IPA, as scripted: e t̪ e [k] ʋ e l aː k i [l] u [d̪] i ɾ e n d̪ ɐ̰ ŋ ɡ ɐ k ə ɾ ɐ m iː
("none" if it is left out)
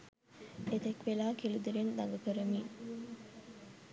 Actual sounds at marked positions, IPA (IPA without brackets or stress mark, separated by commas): k, l, d̪